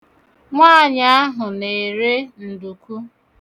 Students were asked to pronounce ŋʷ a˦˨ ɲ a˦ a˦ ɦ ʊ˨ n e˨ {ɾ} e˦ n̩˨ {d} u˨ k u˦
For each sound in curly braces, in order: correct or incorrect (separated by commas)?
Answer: correct, correct